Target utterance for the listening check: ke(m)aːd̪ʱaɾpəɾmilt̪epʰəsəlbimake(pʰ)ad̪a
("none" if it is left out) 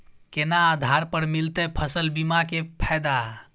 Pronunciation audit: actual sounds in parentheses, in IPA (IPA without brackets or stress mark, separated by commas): n, pʰ